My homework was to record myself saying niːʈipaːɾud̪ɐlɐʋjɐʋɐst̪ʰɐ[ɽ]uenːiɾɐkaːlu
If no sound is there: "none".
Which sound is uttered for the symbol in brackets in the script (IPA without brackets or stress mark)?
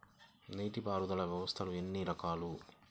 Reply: l